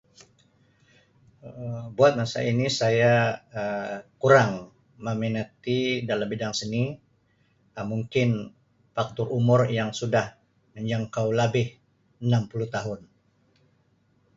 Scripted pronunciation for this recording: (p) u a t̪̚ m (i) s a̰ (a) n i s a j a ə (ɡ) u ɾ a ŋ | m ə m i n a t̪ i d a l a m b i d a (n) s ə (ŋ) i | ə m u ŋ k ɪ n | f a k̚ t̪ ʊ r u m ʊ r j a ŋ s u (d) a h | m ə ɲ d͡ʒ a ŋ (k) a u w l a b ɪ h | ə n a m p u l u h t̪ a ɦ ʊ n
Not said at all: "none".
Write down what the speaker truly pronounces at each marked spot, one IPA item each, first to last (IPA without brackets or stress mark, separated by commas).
b, a, i, k, ŋ, n, d, k